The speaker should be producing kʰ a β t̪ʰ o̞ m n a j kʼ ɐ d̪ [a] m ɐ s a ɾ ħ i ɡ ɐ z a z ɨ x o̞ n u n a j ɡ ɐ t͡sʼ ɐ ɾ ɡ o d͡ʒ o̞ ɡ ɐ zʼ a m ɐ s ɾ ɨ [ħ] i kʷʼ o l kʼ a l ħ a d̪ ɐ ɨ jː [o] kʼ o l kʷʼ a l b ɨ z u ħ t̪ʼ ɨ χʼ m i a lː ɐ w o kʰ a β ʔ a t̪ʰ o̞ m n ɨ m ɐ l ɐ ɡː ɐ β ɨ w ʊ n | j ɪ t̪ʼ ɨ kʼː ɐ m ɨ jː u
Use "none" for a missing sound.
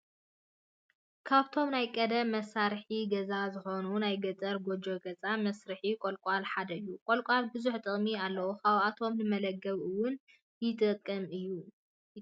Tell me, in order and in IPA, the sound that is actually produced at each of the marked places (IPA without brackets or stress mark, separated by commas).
ɐ, ħ, u